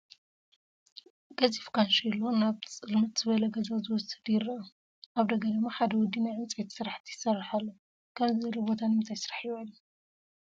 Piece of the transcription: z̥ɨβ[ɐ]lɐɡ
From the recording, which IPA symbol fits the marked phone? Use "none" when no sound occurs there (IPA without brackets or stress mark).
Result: ɐ